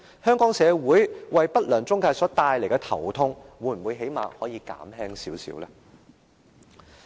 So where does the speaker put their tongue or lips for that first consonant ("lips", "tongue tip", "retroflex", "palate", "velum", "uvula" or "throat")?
throat